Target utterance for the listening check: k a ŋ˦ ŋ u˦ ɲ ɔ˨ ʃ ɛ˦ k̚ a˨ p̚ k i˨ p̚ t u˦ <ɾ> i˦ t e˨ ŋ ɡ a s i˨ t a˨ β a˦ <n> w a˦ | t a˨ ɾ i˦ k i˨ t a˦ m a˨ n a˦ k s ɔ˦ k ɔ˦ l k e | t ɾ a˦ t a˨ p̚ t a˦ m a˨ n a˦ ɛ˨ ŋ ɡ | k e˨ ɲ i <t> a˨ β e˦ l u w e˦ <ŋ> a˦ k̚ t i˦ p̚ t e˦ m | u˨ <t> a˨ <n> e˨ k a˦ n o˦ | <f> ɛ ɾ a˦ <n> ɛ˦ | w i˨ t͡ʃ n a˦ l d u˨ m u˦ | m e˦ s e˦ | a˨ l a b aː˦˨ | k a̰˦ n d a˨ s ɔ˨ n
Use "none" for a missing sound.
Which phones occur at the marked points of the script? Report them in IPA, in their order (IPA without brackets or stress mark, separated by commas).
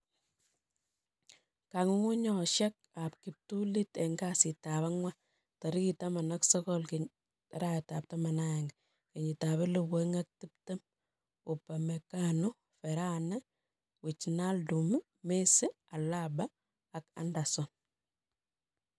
l, ŋ, t, ŋ, p, m, f, n